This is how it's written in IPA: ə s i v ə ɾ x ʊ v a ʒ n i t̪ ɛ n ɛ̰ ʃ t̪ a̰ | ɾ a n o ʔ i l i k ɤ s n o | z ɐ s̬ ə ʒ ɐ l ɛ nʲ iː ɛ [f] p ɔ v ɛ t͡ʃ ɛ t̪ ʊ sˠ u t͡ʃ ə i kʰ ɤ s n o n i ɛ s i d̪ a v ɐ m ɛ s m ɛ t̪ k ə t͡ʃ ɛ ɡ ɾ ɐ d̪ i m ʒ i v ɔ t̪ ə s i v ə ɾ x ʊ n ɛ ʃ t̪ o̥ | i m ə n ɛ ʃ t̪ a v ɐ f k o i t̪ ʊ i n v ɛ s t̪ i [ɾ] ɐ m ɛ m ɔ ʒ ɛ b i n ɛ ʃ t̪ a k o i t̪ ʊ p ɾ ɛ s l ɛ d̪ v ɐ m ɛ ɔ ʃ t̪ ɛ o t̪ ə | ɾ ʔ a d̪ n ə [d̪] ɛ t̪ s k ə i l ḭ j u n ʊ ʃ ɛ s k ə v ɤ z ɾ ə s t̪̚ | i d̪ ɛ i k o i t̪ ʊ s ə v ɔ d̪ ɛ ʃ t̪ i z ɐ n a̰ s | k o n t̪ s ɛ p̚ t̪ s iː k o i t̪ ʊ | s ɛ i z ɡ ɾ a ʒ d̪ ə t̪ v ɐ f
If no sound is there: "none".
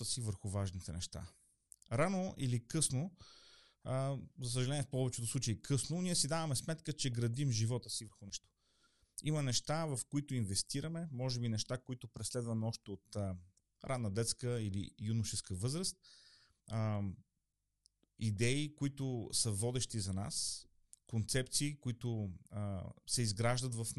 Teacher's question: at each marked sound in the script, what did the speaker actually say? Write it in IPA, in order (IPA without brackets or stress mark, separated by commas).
f, ɾ, d̪